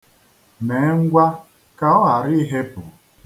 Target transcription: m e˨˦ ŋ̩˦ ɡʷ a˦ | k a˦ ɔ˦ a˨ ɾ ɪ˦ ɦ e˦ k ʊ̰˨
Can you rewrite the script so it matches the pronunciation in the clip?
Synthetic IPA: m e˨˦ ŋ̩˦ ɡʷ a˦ | k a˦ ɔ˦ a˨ ɾ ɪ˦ ɦ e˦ p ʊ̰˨